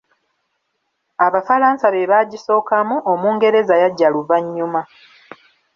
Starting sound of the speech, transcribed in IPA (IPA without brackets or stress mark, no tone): a